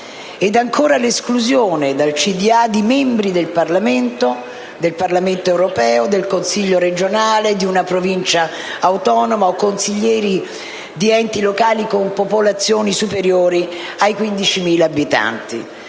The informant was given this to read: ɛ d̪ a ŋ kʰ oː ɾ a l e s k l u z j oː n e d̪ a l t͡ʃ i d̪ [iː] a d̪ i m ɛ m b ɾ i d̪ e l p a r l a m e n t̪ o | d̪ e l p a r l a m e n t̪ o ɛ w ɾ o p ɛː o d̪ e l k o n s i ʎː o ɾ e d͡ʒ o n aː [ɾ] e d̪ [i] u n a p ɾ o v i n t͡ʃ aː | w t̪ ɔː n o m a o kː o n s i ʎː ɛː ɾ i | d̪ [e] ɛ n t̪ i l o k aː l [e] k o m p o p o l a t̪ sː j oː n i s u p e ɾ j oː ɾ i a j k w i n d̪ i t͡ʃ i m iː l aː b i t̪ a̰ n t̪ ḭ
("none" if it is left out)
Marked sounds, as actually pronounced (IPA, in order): i, l, i, i, i

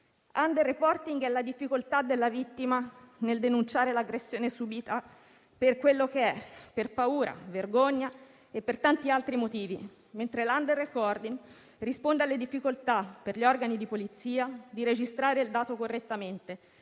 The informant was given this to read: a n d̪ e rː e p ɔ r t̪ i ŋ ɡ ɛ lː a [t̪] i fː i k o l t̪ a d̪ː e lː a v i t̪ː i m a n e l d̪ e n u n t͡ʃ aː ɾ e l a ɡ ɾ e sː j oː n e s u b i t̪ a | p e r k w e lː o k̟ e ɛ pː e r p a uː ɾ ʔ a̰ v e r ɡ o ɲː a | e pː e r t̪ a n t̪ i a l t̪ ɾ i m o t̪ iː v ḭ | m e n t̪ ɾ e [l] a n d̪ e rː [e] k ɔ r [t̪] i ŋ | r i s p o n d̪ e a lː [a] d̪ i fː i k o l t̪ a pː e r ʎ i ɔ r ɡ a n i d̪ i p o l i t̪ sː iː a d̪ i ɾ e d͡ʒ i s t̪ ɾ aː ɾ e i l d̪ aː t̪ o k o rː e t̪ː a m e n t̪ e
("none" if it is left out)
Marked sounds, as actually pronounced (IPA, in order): d̪, l, e, d̪, e

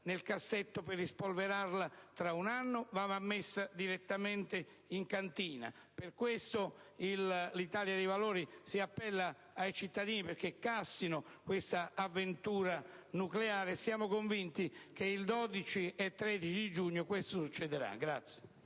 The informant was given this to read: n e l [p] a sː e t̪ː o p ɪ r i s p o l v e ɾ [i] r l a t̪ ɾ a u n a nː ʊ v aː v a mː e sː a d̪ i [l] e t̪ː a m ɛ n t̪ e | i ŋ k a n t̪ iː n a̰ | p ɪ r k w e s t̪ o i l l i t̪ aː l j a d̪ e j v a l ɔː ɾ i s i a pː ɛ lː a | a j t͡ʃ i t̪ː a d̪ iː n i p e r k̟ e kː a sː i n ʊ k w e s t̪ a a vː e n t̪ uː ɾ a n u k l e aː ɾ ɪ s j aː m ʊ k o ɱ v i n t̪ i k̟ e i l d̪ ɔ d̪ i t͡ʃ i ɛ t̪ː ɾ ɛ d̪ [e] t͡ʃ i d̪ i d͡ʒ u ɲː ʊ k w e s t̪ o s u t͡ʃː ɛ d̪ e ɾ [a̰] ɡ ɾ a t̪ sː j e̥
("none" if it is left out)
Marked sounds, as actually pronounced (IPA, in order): k, a, ɾ, i, a̰

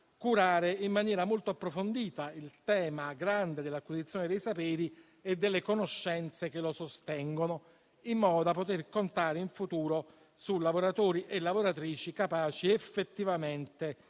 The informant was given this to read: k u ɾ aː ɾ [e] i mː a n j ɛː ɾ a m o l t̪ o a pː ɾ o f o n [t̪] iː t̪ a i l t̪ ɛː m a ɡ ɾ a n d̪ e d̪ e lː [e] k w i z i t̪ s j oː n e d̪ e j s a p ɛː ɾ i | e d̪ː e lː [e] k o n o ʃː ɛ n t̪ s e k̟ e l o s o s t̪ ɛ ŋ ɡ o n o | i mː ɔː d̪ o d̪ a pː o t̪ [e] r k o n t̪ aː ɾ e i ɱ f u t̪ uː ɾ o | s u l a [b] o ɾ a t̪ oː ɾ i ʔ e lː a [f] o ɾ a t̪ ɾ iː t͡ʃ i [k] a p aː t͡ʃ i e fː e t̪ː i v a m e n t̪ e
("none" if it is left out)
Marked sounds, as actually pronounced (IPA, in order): e, d̪, a, e, e, v, v, k

